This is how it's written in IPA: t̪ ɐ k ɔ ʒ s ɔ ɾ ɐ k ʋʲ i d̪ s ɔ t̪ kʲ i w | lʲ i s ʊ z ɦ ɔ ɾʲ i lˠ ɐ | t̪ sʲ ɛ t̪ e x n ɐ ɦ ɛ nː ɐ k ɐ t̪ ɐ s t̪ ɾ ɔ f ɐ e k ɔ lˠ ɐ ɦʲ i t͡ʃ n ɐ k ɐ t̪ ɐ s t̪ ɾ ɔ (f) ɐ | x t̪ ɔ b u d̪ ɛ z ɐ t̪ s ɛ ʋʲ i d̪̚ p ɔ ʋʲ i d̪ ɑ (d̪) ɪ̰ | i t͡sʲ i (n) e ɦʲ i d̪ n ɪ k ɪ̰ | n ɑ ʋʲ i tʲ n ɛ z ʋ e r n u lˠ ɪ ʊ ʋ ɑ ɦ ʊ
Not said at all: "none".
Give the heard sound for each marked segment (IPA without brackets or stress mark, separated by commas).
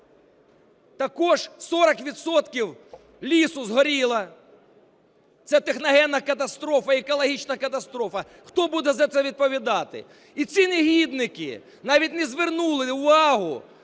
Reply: f, t̪, n